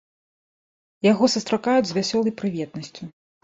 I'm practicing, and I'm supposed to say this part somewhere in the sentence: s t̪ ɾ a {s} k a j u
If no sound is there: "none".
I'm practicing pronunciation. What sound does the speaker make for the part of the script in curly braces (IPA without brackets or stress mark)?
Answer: none